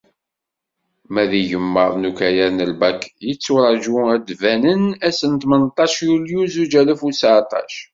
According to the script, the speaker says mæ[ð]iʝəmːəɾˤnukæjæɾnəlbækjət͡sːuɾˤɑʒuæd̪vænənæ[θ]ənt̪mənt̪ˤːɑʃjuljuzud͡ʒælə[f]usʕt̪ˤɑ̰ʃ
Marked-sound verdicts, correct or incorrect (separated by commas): correct, incorrect, correct